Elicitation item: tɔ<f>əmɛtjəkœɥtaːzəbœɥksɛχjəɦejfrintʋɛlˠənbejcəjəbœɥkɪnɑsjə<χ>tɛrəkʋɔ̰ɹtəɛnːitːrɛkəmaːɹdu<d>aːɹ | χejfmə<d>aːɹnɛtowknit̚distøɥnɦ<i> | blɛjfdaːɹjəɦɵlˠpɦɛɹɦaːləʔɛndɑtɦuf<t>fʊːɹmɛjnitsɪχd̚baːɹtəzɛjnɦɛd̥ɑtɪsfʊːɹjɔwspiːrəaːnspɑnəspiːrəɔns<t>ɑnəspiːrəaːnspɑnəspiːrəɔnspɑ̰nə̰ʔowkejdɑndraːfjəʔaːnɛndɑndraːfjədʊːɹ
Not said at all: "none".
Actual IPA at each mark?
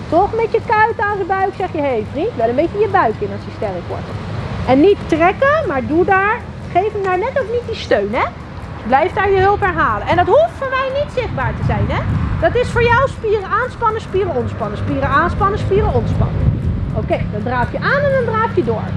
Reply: χ, s, d, d, ɛ, t, p

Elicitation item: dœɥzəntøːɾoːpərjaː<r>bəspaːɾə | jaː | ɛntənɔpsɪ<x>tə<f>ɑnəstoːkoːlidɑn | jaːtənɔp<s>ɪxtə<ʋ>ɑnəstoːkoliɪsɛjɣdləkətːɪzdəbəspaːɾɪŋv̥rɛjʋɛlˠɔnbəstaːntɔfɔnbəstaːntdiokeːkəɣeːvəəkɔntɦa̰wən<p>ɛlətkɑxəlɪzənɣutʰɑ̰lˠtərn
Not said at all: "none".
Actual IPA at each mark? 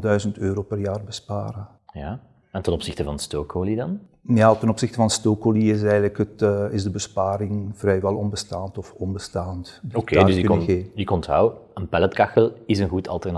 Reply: r, x, v, s, v, p

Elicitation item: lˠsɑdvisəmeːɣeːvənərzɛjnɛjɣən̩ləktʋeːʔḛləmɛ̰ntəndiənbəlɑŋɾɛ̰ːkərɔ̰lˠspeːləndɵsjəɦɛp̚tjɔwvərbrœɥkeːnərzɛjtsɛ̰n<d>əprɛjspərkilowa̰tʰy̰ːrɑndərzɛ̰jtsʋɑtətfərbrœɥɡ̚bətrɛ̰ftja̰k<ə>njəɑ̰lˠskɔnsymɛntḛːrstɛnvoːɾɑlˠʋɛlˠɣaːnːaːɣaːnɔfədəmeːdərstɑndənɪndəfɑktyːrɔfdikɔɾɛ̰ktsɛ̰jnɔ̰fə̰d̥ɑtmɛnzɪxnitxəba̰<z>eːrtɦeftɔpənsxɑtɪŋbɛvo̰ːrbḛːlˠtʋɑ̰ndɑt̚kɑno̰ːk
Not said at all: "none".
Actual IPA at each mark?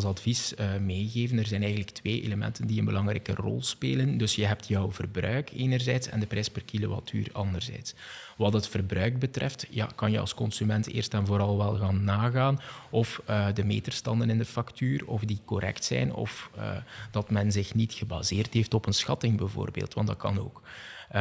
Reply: d, ɑ, z

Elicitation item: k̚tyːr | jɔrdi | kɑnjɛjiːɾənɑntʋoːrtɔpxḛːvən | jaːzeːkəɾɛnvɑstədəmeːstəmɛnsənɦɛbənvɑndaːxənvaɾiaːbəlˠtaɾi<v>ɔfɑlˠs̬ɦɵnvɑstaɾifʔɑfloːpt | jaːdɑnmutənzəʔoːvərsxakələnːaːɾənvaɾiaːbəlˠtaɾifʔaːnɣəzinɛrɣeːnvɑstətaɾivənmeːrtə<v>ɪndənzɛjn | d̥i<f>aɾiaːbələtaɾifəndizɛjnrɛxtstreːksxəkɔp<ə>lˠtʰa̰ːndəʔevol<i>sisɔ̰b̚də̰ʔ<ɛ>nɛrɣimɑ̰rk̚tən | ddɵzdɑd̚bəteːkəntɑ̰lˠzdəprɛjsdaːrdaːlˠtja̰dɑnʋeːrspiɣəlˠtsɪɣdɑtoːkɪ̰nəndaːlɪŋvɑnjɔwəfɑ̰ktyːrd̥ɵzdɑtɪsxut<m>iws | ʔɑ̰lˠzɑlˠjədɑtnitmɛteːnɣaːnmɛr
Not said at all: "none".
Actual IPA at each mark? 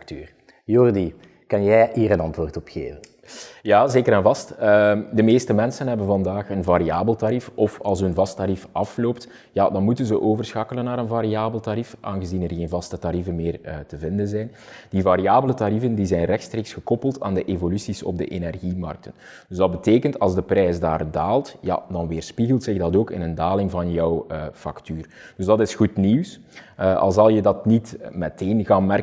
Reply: f, v, v, ə, y, e, n

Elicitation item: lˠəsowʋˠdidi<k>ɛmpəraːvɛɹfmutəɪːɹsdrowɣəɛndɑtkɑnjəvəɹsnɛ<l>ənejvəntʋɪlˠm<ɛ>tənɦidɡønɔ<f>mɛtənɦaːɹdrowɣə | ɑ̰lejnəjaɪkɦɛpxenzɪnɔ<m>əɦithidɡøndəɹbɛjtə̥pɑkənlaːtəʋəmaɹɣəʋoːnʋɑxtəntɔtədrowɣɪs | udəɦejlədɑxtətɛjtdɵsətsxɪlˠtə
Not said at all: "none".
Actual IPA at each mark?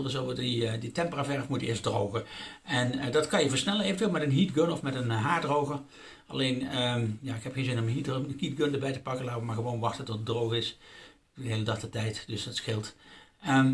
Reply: t, l, ɛ, f, m

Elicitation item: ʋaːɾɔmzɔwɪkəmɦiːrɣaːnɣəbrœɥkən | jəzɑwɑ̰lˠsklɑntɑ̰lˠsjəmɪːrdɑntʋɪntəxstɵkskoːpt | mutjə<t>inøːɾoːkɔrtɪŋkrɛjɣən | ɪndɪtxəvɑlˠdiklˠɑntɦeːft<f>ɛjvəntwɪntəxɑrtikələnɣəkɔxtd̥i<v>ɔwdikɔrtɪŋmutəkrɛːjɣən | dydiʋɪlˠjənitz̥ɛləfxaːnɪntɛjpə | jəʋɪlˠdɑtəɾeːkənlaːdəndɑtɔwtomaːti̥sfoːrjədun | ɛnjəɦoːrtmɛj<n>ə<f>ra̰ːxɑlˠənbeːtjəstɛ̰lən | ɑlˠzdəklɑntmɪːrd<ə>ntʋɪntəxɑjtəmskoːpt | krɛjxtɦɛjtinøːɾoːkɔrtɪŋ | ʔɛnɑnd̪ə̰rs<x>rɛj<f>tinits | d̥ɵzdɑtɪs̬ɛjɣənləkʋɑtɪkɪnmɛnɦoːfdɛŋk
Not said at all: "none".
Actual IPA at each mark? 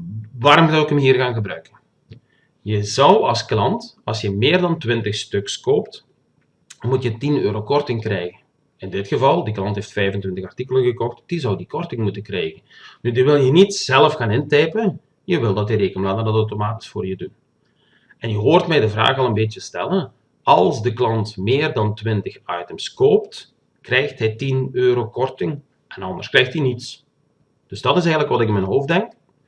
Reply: t, f, z, d, v, ɑ, k, x

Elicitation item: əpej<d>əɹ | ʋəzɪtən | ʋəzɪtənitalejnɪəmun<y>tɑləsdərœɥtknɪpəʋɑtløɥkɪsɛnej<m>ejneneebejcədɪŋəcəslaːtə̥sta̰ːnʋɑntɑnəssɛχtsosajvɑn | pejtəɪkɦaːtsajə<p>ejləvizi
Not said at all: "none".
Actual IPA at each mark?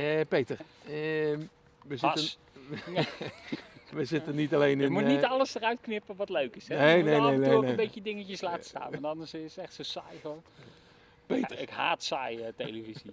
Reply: t, i, n, t

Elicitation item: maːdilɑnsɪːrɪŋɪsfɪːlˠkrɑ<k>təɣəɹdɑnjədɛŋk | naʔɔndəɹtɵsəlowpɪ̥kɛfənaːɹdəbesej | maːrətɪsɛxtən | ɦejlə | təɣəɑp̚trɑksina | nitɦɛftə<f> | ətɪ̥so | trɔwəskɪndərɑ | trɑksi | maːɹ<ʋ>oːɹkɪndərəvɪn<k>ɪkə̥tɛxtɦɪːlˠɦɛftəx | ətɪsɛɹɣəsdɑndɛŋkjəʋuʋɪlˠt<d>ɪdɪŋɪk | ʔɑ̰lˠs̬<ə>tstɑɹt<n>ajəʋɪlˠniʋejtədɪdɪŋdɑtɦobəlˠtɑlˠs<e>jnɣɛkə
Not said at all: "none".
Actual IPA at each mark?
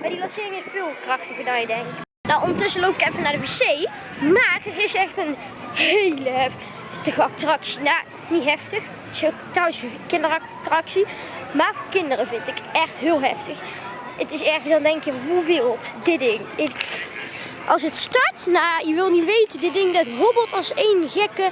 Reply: x, x, v, t, d, ə, n, e

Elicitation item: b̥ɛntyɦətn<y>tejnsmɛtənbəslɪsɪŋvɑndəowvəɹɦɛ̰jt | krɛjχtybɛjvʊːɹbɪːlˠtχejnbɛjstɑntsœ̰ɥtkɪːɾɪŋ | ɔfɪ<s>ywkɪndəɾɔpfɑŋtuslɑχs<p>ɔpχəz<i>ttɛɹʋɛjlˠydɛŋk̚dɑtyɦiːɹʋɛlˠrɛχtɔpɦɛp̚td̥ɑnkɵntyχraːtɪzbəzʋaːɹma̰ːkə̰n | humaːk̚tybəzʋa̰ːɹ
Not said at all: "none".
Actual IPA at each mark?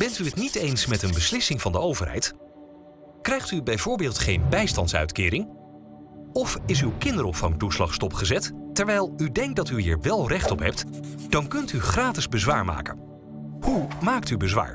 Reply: i, s, t, ɛ

